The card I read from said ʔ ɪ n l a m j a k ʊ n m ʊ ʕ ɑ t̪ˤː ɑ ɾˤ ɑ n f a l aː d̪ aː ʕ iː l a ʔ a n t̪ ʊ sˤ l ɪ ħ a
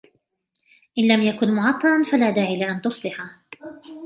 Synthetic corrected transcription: ʔ ɪ n l a m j a k ʊ n m ʊ ʕ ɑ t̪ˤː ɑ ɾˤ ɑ n f a l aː d̪ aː ʕ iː l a ʔ a n t̪ ʊ sˤ l ɪ ħ a